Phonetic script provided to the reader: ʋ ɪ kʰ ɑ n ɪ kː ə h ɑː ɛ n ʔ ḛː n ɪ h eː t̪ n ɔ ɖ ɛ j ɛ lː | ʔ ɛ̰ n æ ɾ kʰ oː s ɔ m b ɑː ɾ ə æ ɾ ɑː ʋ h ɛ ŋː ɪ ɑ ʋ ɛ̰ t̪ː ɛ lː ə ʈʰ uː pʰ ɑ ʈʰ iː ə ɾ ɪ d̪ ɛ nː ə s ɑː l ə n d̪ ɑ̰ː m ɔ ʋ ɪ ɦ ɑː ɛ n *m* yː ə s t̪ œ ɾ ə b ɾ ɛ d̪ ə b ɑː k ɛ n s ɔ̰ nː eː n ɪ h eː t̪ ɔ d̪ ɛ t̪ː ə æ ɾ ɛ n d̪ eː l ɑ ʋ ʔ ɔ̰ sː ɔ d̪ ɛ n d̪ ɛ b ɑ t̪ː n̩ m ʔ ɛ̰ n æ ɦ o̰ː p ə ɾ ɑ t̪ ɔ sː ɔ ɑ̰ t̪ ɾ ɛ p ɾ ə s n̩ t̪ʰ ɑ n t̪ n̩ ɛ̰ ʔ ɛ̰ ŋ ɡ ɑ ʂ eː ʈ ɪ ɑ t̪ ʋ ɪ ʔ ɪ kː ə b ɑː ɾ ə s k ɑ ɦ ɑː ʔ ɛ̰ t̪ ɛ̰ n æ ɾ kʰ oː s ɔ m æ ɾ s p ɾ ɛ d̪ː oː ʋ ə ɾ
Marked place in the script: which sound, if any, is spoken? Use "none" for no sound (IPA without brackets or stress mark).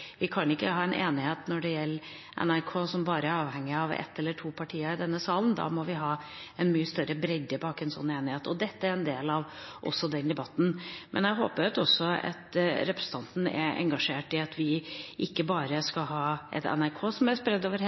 m